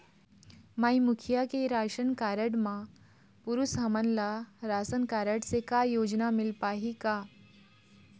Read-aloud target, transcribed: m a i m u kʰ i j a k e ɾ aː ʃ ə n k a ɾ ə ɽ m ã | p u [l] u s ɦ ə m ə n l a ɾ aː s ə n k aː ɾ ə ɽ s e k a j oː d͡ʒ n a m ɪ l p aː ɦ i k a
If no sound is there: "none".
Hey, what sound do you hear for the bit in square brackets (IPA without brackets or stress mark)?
ɾ